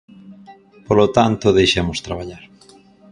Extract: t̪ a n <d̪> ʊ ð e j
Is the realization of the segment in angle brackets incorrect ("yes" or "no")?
yes